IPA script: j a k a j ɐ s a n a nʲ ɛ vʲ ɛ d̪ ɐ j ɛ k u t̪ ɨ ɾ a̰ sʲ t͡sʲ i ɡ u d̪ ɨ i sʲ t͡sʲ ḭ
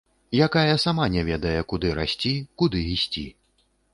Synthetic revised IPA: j a k a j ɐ s a m a nʲ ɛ vʲ ɛ d̪ ɐ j ɛ k u d̪ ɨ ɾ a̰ sʲ t͡sʲ i k u d̪ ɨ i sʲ t͡sʲ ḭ